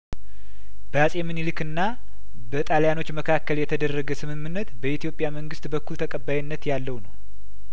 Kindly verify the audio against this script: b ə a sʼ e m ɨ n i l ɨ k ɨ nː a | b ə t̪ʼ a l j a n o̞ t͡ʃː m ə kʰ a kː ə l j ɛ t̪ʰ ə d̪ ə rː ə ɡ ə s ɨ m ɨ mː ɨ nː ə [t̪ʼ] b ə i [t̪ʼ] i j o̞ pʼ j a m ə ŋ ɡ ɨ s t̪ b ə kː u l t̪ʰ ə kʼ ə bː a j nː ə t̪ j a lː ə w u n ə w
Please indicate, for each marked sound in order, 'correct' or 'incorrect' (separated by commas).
incorrect, incorrect